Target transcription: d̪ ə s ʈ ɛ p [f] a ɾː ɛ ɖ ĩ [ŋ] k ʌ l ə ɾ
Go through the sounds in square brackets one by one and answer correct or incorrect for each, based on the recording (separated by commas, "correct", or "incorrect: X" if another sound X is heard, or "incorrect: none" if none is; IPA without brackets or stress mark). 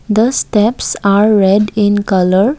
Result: incorrect: s, incorrect: n